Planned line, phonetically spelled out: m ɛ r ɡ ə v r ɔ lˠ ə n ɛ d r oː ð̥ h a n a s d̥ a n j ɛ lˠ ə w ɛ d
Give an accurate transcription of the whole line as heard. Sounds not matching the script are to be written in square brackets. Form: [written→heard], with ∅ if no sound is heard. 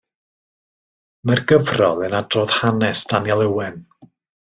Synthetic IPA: m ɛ r ɡ ə v r ɔ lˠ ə n [ɛ→a] d r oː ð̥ h a n [a→ɛ] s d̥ a n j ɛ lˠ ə w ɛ [d→n]